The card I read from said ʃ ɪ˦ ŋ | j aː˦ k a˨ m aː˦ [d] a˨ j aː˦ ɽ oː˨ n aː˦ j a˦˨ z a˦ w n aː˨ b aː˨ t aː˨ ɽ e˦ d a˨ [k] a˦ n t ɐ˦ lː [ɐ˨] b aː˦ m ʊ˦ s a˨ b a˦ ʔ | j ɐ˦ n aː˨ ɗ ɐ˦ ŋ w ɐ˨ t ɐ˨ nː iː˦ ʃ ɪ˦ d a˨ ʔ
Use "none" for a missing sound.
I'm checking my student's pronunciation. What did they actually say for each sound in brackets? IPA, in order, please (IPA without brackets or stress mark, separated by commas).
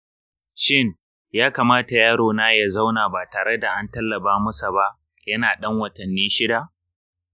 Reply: t, ʔ, ɐ˨